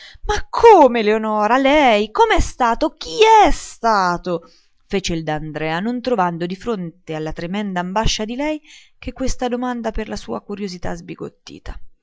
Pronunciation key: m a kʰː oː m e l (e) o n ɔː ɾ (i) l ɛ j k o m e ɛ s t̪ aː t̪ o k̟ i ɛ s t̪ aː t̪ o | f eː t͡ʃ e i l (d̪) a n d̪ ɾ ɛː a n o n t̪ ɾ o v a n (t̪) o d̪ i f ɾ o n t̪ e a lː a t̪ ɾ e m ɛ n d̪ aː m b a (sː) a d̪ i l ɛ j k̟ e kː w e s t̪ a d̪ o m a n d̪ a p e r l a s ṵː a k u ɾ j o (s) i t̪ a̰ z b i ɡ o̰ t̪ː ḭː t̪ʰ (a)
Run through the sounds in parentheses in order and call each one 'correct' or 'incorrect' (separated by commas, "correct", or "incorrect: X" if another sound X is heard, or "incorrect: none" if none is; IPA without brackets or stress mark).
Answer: correct, incorrect: a, correct, incorrect: d̪, incorrect: ʃː, incorrect: z, correct